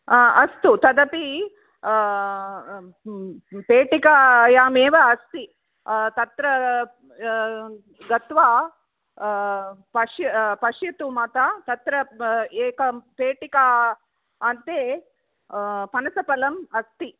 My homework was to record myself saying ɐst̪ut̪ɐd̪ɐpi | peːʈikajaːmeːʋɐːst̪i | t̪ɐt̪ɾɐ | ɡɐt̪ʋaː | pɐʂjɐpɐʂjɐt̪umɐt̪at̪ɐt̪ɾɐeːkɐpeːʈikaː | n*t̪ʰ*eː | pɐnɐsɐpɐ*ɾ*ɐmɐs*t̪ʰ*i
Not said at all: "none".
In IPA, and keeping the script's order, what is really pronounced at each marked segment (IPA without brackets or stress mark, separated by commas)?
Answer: t̪, l, t̪